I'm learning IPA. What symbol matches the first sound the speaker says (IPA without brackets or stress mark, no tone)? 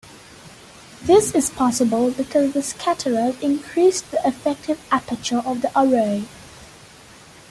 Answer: ð